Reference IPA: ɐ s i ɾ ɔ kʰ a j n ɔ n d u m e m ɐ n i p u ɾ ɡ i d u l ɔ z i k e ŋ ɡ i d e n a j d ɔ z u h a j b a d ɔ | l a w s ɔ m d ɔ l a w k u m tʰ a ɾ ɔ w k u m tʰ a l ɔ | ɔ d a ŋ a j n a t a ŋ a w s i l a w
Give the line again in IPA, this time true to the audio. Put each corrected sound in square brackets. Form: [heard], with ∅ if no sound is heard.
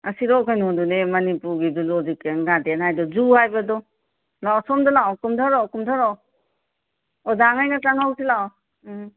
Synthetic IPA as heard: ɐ s i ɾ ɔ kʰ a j n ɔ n d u [n] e m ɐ n i p u ɾ ɡ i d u l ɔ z i k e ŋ ɡ [a] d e n a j d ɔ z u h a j b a d ɔ | l a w s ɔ m d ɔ l a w k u m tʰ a ɾ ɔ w k u m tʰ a [ɾ] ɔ | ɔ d a ŋ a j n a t a ŋ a w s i l a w